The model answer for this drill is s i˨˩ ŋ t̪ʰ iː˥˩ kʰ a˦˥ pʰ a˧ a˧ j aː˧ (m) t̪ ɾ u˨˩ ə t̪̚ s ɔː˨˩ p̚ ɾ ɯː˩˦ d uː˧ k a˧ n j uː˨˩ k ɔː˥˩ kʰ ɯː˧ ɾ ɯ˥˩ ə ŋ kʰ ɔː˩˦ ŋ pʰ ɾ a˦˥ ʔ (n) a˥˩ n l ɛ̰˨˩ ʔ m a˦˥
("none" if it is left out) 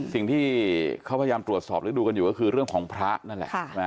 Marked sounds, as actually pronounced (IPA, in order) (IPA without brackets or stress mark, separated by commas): m, n